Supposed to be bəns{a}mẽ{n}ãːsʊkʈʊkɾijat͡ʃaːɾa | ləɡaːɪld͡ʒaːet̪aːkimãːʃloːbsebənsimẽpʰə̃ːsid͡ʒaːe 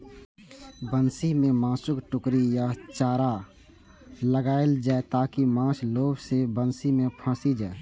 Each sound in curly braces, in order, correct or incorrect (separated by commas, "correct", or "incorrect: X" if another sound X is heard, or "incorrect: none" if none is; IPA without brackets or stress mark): incorrect: i, incorrect: m